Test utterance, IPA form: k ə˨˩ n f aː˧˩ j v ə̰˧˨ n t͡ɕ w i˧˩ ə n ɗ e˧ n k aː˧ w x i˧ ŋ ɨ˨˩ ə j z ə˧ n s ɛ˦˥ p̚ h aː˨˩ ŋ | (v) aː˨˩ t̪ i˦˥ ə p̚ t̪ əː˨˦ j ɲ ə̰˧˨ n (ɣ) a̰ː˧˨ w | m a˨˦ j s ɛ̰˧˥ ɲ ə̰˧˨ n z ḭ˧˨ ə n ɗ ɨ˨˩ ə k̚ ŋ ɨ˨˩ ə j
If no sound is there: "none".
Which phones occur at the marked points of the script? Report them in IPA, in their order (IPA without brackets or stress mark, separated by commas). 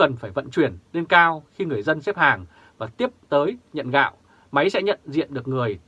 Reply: v, ɣ